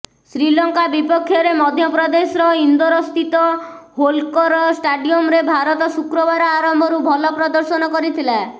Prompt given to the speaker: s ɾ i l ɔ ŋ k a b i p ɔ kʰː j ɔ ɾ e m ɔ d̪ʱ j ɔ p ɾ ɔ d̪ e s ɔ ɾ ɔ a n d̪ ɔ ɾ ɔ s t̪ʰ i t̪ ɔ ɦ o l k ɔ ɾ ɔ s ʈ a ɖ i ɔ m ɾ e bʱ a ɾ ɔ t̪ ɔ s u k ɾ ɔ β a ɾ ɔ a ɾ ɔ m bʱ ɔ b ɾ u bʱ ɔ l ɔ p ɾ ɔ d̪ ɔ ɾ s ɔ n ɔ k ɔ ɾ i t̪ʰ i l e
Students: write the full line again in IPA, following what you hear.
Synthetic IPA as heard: s ɾ i l ɔ ŋ k a b i p ɔ kʰː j ɔ ɾ e m ɔ d̪ʱ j ɔ p ɾ ɔ d̪ e s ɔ ɾ ɔ i n d̪ ɔ ɾ ɔ s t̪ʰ i t̪ ɔ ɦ o l k ɔ ɾ ɔ s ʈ a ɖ i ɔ m ɾ e bʱ a ɾ ɔ t̪ ɔ s u k ɾ ɔ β a ɾ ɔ a ɾ ɔ m bʱ ɔ ɾ u bʱ ɔ l ɔ p ɾ ɔ d̪ ɔ ɾ s ɔ n ɔ k ɔ ɾ i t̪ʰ i l a